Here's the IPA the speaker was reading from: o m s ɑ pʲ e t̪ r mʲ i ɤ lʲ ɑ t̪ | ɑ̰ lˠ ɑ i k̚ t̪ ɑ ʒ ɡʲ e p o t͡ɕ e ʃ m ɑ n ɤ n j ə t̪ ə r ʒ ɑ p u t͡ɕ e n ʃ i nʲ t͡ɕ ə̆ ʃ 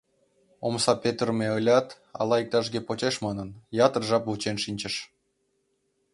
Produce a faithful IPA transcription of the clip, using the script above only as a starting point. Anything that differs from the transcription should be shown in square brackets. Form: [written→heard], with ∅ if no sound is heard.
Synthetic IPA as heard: o m s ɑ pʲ e t̪ r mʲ [i→e] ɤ lʲ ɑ t̪ | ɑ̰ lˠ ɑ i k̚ t̪ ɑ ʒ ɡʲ e p o t͡ɕ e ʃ m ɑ n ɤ n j [ə→ɑ] t̪ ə r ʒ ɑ p u t͡ɕ e n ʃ i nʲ t͡ɕ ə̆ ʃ